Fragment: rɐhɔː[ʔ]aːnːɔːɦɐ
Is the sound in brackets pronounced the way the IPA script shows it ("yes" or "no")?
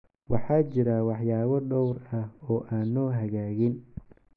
yes